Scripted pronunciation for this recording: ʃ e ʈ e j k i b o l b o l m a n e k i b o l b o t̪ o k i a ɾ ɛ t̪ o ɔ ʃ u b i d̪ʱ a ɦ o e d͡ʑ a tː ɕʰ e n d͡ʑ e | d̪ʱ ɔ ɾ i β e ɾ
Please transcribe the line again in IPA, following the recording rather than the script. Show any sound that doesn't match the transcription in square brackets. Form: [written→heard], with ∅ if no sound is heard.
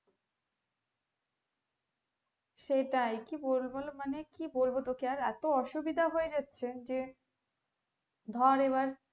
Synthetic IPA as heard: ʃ e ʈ [e→a] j k i b o l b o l m a n e k i b o l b o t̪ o k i a ɾ ɛ t̪ o ɔ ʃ u b i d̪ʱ a ɦ o e d͡ʑ a tː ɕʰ e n d͡ʑ e | d̪ʱ ɔ ɾ [i→e] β [e→a] ɾ